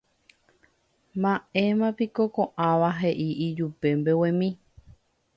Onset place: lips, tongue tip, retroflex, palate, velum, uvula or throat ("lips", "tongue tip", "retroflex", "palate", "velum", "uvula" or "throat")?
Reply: lips